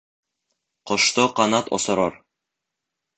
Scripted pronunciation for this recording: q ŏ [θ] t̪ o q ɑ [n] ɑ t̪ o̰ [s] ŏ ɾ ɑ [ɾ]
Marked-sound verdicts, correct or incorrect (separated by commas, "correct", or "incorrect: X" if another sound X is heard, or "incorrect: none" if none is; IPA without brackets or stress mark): incorrect: ʃ, correct, correct, correct